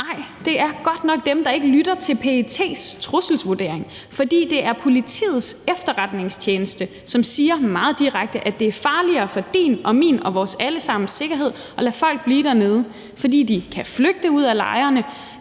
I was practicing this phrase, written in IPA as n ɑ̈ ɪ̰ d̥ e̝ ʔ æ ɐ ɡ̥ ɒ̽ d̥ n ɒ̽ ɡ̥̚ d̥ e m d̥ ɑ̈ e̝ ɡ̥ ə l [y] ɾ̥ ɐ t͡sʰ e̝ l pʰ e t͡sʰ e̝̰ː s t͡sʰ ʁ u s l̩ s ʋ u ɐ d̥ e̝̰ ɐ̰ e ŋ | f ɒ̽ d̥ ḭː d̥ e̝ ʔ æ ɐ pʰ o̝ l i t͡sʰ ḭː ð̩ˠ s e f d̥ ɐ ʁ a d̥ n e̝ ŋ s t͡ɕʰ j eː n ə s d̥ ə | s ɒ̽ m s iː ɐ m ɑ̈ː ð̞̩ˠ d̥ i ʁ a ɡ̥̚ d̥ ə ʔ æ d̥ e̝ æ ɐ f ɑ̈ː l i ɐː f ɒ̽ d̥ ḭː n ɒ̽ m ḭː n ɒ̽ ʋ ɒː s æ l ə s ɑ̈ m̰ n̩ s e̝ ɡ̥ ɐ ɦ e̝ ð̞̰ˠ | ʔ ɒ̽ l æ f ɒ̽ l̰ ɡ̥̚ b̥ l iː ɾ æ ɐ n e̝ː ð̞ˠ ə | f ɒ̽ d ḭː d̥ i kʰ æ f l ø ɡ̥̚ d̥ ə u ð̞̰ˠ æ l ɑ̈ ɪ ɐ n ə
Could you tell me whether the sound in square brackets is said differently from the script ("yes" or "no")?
no